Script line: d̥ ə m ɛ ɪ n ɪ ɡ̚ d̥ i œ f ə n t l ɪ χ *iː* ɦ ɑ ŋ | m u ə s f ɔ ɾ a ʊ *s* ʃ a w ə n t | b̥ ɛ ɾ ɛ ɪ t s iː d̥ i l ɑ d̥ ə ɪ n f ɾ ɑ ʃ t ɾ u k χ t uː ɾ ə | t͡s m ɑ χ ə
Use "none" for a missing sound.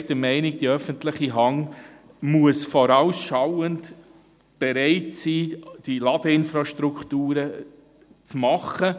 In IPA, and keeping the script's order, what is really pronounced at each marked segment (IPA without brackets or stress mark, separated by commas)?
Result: i, s